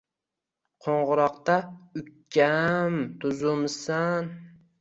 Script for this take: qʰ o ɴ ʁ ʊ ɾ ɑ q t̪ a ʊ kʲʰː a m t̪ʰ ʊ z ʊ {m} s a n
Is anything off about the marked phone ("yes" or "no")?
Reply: no